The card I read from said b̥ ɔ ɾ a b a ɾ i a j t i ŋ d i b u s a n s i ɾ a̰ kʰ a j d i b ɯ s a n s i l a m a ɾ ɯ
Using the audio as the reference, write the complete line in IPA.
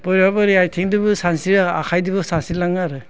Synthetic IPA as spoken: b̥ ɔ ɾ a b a ɾ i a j tʰ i ŋ d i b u s a n s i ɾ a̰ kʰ a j d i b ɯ s a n s i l a ŋ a ɾ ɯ